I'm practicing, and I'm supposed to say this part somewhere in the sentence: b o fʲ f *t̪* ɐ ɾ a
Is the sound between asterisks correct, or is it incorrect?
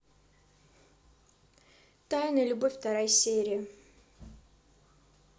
correct